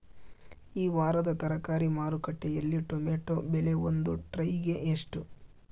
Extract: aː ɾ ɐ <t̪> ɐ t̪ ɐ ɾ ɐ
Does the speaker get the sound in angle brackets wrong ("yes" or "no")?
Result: yes